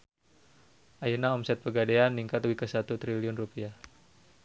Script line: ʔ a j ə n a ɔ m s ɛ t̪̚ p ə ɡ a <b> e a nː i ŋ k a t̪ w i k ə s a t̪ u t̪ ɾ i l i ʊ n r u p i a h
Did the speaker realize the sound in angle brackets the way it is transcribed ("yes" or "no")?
no